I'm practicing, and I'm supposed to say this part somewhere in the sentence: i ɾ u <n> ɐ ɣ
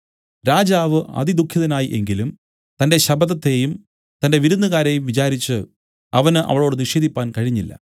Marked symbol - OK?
no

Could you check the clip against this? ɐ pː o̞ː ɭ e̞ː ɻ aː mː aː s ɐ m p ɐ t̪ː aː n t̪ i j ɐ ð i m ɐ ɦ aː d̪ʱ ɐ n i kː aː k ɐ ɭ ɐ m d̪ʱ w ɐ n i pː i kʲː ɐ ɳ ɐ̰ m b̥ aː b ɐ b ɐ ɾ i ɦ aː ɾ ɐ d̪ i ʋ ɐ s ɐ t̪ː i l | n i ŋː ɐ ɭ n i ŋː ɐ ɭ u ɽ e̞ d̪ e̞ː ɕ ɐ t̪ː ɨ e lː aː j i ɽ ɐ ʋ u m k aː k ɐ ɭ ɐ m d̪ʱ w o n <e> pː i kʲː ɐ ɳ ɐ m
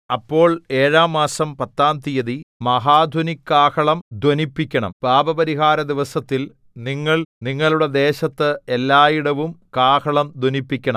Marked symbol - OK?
no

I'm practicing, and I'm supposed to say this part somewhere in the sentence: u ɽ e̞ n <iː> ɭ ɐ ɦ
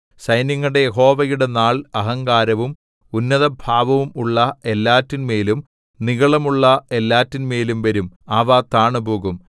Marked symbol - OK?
no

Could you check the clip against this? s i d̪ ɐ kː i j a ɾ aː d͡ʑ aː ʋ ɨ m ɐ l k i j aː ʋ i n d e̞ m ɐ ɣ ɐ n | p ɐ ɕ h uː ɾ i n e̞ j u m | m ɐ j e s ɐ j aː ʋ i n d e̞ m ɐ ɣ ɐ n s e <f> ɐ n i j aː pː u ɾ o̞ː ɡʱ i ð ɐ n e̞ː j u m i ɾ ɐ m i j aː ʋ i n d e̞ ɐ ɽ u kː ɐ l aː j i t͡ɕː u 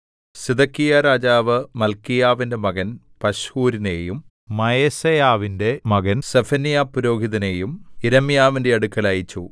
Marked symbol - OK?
yes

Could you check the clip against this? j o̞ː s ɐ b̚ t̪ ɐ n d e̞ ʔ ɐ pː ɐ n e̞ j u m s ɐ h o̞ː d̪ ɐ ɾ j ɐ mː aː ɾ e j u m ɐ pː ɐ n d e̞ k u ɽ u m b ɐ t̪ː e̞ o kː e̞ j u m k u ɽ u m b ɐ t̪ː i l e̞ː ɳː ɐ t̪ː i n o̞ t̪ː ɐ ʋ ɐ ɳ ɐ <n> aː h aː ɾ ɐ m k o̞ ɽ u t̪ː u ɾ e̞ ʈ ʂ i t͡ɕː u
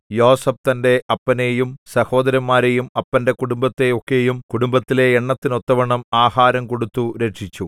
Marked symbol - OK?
no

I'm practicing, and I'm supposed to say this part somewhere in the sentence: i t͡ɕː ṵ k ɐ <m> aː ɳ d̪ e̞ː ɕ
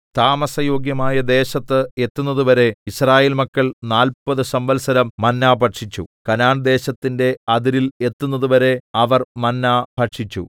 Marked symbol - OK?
no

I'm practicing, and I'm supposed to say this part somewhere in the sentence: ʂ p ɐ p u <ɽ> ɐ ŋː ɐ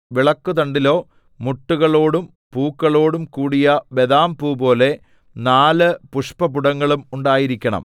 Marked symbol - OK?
yes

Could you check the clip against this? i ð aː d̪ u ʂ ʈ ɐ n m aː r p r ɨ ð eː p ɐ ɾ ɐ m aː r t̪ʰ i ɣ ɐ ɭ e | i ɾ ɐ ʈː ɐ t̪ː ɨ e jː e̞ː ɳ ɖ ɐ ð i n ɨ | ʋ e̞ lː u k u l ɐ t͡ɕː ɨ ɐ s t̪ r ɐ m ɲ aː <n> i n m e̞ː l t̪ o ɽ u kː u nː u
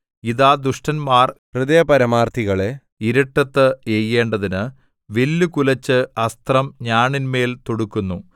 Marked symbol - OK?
no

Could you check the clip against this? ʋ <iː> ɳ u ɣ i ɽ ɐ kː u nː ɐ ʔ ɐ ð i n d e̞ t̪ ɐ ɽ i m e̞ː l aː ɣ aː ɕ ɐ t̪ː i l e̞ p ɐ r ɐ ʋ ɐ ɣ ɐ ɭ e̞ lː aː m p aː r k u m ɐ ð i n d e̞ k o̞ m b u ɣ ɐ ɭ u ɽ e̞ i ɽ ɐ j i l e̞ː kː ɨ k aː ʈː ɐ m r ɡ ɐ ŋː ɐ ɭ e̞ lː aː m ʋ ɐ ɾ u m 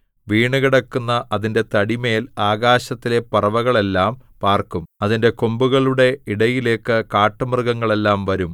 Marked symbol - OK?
yes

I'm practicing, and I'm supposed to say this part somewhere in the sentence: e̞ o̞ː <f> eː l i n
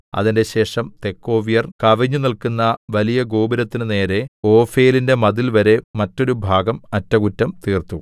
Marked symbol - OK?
yes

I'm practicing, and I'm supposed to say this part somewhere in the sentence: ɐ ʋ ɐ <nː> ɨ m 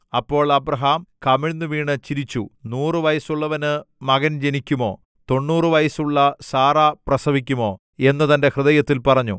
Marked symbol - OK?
no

